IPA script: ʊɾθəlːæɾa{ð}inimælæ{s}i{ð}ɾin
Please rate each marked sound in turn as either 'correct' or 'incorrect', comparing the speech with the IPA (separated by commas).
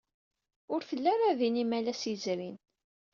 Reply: correct, correct, incorrect